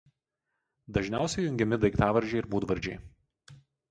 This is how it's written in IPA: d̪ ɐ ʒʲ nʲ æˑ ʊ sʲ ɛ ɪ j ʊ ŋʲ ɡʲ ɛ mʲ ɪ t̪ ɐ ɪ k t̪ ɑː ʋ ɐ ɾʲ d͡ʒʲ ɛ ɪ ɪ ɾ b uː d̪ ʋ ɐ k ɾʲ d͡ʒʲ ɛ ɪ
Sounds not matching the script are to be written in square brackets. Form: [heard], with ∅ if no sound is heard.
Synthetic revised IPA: d̪ ɐ ʒʲ nʲ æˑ ʊ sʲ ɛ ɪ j ʊ ŋʲ ɡʲ ɛ mʲ ɪ [d̪] ɐ ɪ k t̪ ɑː ʋ ɐ ɾʲ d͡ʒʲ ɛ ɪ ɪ ɾ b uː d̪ ʋ ɐ [∅] ɾʲ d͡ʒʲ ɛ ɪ